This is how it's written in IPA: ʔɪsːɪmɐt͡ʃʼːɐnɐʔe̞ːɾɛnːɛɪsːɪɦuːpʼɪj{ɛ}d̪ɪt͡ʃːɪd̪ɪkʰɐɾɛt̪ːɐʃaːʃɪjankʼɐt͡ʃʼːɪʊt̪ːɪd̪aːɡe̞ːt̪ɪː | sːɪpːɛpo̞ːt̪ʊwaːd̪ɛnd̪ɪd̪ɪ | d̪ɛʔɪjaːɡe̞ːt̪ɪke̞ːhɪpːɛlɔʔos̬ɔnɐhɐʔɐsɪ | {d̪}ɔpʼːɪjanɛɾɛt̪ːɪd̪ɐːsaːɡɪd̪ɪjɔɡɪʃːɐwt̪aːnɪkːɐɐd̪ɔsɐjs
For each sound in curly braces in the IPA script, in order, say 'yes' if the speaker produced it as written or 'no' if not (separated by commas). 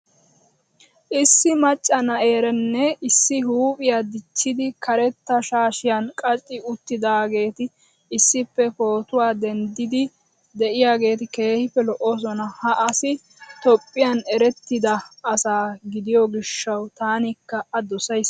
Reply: no, no